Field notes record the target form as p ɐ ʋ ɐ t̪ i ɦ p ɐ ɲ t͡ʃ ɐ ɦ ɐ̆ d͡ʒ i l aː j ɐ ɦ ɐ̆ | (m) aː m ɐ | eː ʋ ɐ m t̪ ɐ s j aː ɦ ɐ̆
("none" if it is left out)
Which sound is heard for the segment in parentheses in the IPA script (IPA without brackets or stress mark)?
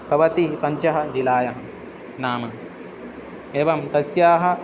n